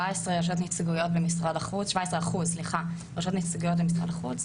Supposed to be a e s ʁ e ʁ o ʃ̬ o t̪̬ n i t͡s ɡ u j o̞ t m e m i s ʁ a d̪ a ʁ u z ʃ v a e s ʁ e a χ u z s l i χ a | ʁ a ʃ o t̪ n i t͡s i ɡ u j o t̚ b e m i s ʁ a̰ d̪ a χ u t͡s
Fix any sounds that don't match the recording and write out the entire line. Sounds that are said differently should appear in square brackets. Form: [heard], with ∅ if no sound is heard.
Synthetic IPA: a e s ʁ e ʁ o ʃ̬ o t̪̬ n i t͡s ɡ u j o̞ t [b] e m i s ʁ a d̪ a [χ] u z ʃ v a e s ʁ e a χ u z s l i χ a | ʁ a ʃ o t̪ n i t͡s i ɡ u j o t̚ b e m i s ʁ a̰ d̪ a χ u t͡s